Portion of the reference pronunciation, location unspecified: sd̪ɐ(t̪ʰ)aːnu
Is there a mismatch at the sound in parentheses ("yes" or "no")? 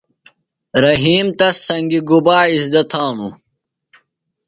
no